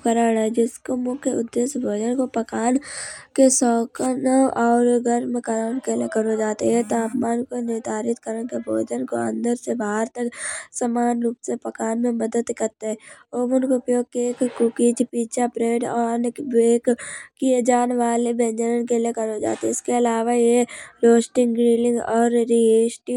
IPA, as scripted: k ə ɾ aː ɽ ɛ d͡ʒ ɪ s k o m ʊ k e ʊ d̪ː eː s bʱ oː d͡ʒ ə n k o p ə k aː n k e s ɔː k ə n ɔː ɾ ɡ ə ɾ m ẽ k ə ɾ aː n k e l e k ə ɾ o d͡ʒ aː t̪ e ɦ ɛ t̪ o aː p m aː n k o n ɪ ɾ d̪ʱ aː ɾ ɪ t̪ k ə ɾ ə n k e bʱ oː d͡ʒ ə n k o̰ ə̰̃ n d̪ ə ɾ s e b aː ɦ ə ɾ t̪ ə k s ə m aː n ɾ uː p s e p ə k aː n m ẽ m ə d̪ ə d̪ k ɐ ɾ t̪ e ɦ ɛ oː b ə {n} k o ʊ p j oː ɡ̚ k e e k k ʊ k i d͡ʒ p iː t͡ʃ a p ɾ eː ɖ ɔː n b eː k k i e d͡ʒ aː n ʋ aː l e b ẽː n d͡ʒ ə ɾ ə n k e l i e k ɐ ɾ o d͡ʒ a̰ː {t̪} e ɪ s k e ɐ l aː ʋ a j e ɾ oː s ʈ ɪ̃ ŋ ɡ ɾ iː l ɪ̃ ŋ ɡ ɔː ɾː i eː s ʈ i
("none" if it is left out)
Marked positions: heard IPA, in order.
n, t̪

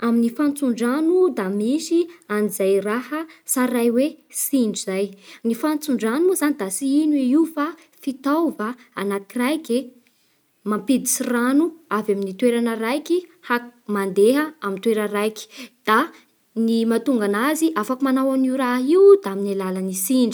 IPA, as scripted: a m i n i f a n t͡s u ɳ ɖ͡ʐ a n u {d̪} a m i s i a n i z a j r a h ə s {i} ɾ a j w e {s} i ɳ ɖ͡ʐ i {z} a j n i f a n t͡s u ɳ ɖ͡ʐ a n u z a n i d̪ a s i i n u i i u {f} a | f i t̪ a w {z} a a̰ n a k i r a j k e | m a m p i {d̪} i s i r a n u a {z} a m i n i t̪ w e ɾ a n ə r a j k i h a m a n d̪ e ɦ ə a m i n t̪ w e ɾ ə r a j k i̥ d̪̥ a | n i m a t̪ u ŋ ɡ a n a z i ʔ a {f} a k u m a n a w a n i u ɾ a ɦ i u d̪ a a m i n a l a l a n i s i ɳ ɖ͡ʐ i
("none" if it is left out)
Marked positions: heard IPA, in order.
d̪, a, s, z, f, v, d̪, v, f

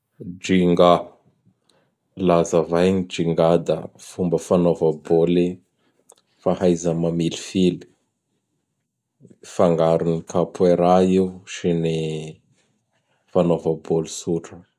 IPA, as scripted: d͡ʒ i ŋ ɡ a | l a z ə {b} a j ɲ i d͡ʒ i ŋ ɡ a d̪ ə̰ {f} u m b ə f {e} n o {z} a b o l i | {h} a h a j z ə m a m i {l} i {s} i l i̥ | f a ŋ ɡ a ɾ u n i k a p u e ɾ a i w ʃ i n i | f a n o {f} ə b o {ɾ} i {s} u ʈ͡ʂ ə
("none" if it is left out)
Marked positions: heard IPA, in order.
v, f, a, v, f, l, f, v, l, s

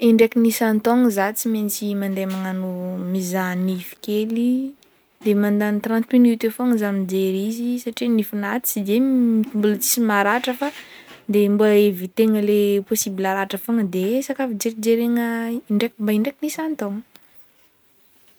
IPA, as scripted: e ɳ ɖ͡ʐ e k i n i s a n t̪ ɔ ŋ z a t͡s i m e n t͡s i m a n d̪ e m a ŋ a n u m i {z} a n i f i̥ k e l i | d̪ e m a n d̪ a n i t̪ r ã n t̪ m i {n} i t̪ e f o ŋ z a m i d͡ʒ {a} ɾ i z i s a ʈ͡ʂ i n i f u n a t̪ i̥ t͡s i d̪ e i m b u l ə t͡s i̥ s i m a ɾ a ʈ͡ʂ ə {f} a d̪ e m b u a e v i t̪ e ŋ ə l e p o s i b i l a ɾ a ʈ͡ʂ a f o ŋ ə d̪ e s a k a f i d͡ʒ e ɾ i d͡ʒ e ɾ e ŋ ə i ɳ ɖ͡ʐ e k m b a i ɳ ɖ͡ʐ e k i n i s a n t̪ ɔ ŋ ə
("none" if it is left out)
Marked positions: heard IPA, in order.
z, n, e, f

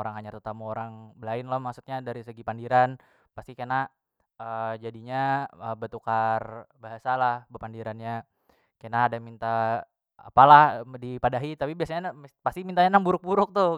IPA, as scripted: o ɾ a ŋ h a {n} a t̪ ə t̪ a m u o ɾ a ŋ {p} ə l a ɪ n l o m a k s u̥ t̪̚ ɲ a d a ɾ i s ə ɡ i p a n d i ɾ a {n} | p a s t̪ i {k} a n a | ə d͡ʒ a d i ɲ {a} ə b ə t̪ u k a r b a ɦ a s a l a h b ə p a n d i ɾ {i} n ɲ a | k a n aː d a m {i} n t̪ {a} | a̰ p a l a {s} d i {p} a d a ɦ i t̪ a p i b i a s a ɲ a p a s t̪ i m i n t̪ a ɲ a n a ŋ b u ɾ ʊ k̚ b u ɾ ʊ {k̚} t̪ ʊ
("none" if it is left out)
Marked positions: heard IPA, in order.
ɲ, b, n, k, a, a, i, a, h, p, k̚

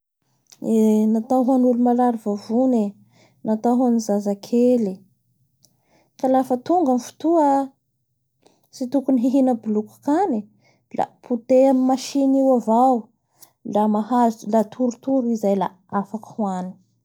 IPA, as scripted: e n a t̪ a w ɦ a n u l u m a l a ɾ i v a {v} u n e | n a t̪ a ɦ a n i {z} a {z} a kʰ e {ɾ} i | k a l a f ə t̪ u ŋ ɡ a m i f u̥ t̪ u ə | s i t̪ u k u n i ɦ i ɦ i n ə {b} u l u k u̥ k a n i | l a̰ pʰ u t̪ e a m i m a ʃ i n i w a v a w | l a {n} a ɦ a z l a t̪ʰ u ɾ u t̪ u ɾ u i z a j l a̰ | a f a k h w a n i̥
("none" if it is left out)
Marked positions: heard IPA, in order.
v, z, z, l, b, m

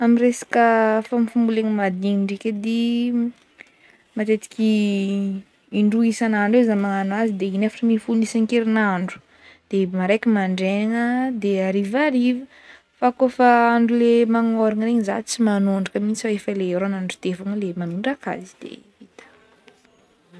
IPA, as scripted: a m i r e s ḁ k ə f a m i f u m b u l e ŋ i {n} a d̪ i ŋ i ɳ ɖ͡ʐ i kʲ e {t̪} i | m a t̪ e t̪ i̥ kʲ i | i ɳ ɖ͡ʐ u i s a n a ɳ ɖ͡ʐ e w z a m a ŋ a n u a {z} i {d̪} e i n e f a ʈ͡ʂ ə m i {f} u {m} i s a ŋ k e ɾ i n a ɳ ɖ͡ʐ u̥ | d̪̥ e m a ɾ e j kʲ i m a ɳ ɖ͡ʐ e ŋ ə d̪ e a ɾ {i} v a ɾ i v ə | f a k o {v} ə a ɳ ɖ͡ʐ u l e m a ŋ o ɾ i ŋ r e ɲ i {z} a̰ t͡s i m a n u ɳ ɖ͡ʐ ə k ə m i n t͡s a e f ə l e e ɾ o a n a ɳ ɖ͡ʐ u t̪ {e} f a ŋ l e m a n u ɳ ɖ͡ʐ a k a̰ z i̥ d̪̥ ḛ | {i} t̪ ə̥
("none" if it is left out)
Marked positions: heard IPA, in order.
m, d̪, z, d̪, f, n, i, f, z, e, i

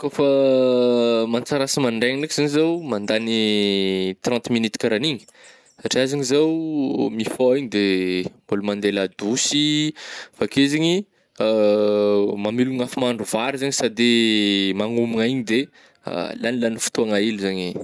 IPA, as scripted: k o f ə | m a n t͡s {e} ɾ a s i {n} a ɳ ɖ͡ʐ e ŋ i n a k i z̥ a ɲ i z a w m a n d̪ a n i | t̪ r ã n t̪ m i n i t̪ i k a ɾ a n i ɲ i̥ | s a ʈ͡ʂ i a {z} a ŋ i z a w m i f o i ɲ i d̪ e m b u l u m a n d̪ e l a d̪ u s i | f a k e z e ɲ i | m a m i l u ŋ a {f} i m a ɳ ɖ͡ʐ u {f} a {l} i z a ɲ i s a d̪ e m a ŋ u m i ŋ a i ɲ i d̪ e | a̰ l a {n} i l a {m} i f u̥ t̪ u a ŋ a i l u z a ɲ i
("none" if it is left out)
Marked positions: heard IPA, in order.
a, m, z, f, v, ɾ, n, n

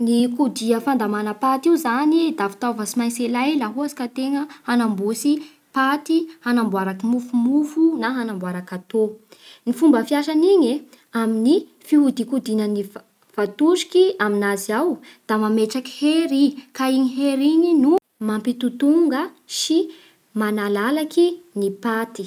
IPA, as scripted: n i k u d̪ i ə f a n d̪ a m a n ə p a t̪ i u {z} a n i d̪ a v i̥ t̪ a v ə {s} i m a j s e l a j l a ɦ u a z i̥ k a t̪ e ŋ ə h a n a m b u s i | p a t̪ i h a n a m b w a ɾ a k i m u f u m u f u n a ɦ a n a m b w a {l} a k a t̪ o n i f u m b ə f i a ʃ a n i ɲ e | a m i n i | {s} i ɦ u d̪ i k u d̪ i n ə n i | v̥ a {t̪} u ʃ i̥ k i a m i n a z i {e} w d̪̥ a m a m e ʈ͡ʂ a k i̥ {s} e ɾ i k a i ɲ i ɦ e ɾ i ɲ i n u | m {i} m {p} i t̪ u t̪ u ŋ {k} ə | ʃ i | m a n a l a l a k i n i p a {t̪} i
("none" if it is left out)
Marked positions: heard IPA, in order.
z, s, ɾ, f, t̪, a, h, a, p, ɡ, t̪

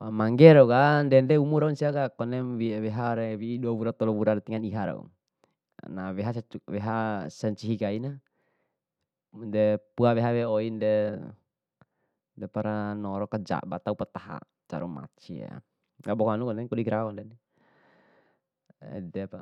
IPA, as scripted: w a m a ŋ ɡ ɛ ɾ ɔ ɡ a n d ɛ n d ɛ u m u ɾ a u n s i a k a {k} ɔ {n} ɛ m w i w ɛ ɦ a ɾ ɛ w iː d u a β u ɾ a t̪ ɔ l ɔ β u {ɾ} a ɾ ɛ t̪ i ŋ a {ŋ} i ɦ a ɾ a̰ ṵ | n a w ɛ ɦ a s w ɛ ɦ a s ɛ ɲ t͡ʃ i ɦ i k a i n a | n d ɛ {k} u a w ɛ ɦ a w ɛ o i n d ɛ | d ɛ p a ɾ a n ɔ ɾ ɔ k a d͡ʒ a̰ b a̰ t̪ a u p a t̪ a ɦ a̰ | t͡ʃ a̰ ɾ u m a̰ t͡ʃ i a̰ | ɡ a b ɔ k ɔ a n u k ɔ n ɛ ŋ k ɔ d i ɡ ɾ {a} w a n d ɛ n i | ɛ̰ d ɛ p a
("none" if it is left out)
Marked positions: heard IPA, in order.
k, n, ɾ, n, p, a

